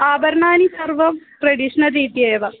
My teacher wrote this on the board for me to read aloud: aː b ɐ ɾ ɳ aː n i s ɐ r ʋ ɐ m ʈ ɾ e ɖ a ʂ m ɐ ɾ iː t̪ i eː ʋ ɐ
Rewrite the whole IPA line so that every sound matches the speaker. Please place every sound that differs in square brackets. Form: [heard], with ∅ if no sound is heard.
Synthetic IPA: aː b ɐ ɾ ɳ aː n i s ɐ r ʋ ɐ m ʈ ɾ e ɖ [i] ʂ [n] ɐ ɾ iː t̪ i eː ʋ ɐ

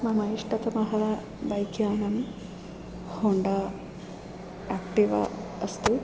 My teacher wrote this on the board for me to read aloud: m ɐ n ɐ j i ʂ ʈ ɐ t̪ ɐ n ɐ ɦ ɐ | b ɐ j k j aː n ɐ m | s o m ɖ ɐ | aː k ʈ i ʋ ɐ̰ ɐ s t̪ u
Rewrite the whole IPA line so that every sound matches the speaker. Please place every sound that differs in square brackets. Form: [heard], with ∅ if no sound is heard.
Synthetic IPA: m ɐ [m] ɐ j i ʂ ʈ ɐ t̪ ɐ [m] ɐ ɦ ɐ | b ɐ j k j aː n ɐ m | [h] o [ɳ] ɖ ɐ | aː k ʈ i ʋ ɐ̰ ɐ s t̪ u

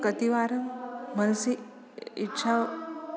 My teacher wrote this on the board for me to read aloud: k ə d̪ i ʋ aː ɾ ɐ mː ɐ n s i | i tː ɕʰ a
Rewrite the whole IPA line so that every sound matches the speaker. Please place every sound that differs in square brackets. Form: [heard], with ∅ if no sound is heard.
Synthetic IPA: k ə [t̪] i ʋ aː ɾ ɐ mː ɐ n s i | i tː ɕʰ a

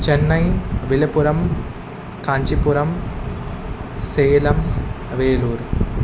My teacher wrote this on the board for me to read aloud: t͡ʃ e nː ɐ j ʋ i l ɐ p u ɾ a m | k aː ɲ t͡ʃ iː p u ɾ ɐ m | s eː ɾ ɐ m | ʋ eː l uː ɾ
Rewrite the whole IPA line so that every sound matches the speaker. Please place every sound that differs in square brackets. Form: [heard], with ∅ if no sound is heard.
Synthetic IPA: t͡ʃ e nː ɐ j ʋ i l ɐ p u ɾ [ɐ] m | k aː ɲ t͡ʃ [i] p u ɾ ɐ m | s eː [l] ɐ m | ʋ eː l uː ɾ

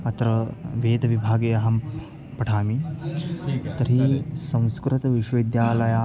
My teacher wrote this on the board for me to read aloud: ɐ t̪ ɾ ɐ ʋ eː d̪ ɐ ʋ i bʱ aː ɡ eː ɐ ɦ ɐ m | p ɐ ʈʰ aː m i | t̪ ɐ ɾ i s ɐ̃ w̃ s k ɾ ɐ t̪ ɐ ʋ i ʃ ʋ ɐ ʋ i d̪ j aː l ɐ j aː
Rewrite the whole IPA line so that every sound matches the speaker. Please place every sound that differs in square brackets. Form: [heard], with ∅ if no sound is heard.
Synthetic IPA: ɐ t̪ ɾ ɐ ʋ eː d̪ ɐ ʋ i bʱ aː ɡ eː ɐ ɦ ɐ m | p ɐ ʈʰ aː m i | t̪ ɐ ɾ i s ɐ̃ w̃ s k ɾ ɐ t̪ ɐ ʋ i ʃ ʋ ɐ ʋ i d̪ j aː l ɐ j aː

